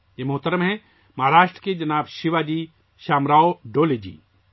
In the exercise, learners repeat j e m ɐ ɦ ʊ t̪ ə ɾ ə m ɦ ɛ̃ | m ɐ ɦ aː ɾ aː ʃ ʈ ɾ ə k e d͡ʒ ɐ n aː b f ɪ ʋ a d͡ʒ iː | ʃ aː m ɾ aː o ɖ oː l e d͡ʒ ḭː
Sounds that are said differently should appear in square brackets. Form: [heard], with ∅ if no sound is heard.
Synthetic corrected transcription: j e m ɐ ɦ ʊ t̪ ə ɾ ə m ɦ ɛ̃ | m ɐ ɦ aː ɾ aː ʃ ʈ ɾ ə k e d͡ʒ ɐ n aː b [ʃ] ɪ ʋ a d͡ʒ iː | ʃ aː m ɾ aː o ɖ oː l e d͡ʒ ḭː